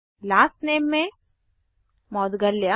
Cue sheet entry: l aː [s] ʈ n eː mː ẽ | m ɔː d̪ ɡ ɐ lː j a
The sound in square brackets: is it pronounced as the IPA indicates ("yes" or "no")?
yes